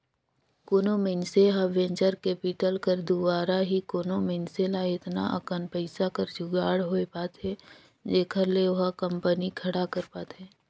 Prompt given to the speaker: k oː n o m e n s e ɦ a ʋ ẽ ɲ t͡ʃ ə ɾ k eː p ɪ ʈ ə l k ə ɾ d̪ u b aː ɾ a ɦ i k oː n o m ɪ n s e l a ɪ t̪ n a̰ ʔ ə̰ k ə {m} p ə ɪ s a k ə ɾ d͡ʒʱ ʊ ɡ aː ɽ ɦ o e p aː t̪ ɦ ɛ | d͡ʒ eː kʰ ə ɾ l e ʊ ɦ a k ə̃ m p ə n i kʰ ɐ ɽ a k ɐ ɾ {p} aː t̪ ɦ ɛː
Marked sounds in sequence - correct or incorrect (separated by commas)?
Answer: incorrect, correct